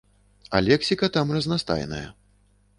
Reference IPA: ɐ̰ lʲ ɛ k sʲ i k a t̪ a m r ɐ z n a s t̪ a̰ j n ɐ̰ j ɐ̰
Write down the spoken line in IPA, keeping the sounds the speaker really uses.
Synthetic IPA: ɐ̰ lʲ ɛ k sʲ i k ɐ t̪ a m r ɐ z n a s t̪ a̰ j n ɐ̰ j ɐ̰